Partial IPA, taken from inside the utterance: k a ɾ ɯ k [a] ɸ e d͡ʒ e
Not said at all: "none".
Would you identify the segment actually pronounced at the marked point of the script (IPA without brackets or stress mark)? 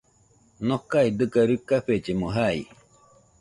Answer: a